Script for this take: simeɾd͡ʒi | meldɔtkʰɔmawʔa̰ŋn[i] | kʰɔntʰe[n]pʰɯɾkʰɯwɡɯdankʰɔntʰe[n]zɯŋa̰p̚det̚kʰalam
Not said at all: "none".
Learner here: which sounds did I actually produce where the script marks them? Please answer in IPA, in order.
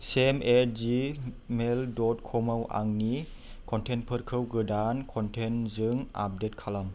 i, n, n

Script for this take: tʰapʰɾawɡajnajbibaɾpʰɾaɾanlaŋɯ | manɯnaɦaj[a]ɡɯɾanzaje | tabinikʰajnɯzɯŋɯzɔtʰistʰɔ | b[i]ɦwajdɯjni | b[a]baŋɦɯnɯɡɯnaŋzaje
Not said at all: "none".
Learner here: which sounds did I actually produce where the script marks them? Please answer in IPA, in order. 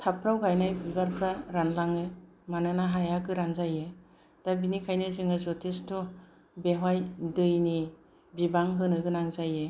a, e, i

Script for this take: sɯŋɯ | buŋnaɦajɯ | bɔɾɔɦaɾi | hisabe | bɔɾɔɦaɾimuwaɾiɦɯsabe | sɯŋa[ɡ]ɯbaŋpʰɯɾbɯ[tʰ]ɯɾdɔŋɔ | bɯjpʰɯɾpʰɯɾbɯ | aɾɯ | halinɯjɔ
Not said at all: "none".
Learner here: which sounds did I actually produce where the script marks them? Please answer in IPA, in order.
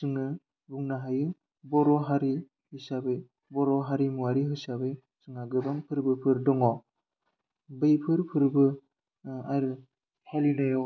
ɡ, pʰ

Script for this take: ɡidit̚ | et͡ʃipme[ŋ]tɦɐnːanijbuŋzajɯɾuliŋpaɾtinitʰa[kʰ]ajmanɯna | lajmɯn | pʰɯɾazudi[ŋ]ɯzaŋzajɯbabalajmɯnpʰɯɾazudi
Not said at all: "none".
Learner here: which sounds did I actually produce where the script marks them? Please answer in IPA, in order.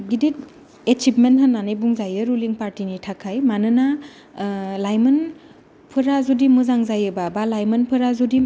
n, kʰ, m

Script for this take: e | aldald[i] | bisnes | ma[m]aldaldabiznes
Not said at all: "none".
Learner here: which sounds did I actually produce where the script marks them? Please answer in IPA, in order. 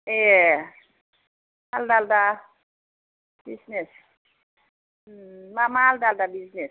a, m

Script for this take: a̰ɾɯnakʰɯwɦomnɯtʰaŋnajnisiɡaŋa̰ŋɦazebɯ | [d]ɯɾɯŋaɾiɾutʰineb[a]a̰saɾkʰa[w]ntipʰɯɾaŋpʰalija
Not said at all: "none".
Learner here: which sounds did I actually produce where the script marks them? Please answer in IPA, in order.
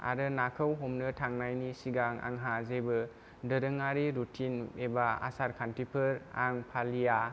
d, a, none

